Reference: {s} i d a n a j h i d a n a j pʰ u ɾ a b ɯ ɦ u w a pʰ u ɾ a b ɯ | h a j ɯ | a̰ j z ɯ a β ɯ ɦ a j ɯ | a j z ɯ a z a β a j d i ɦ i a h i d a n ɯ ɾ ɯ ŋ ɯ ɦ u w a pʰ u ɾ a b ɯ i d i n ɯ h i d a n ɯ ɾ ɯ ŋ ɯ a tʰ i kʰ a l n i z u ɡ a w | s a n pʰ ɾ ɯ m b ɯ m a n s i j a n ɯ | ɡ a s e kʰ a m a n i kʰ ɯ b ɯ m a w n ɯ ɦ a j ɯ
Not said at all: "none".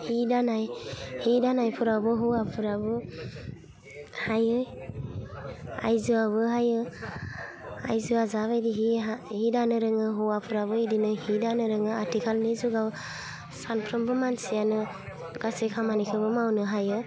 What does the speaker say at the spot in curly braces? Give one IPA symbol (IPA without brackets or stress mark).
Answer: h